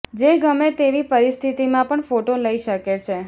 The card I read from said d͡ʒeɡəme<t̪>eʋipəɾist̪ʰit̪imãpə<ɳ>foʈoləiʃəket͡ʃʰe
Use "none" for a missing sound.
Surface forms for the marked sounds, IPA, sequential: t̪, ɳ

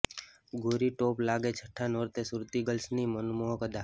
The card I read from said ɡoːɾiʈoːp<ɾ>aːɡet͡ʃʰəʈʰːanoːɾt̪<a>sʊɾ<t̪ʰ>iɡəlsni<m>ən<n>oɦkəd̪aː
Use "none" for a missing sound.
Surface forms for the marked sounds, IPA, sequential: l, e, t̪, m, m

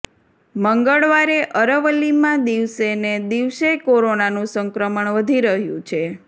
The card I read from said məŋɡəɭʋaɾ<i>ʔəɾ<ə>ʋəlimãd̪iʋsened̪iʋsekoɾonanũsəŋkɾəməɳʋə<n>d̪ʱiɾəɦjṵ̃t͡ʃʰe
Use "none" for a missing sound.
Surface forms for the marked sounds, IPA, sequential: e, ə, none

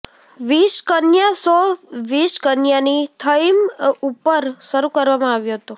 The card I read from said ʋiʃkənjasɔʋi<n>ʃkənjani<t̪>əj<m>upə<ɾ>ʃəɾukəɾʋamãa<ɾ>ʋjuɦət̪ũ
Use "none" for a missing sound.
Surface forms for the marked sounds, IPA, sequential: none, t̪ʰ, m, ɾ, none

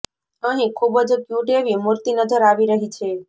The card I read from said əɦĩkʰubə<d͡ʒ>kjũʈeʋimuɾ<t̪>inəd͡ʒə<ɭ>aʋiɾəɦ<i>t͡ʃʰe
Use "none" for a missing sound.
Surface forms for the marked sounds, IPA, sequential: d͡ʒ, t̪, ɾ, i

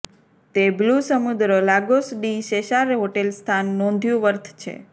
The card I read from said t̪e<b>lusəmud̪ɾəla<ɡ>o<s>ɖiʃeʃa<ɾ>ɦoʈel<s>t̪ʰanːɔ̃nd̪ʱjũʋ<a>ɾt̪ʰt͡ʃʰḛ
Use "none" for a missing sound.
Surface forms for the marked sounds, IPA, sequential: b, ɡ, s, ɾ, s, ə

